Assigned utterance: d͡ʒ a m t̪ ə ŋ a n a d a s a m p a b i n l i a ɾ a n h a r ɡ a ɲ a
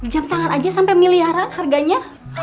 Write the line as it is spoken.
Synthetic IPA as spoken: d͡ʒ a m t̪ a ŋ a n a d͡ʒ a s a m p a m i l i a ɾ a n h a r ɡ a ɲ a